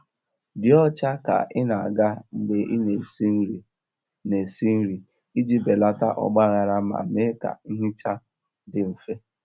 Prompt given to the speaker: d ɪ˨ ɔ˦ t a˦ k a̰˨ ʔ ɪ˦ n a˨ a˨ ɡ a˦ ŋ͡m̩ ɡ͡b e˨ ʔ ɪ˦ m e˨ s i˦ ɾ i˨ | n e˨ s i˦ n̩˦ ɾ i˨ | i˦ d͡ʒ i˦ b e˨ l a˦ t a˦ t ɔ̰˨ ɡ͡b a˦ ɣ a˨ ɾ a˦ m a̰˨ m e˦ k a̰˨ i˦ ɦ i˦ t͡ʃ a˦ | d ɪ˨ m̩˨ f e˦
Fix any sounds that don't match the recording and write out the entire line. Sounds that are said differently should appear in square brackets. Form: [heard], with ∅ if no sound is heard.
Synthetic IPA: d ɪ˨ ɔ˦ [t͡ʃ] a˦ k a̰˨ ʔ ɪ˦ n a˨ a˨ ɡ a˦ ŋ͡m̩ ɡ͡b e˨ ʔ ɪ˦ [n] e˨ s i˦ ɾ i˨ | n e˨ s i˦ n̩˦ ɾ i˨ | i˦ d͡ʒ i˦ b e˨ l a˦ t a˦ [ʔ] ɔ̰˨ ɡ͡b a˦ ɣ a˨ ɾ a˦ m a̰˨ m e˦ k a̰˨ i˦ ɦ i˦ t͡ʃ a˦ | d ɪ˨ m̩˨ f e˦